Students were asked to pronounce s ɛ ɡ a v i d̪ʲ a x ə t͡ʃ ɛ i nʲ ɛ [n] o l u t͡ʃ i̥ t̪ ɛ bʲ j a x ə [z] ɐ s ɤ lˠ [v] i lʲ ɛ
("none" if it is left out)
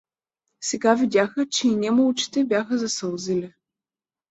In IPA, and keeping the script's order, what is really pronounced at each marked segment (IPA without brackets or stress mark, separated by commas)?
m, z, z